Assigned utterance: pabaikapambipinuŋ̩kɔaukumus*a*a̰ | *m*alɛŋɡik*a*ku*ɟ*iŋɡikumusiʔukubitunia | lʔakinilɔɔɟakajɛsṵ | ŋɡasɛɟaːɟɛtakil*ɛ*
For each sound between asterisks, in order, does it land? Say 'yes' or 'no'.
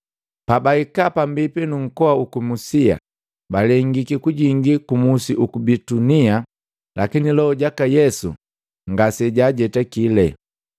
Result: no, no, no, yes, yes

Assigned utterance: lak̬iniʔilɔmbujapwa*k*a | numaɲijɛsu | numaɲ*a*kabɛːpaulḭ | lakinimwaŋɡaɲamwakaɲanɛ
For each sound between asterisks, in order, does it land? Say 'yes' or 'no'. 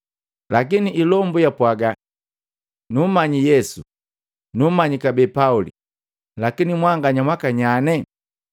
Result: no, no

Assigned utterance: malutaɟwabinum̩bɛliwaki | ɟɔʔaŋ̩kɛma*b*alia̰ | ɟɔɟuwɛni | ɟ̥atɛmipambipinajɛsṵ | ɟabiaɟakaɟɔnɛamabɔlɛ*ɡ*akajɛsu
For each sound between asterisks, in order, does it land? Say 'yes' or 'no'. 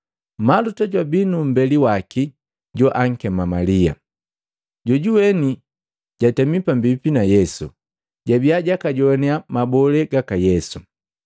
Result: no, yes

